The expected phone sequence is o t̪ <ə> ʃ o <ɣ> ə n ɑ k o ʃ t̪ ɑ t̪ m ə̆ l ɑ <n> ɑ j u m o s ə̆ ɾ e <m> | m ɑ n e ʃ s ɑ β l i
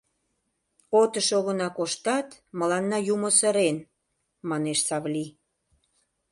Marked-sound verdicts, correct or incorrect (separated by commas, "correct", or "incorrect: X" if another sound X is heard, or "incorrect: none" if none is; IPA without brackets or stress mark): correct, correct, incorrect: nː, incorrect: n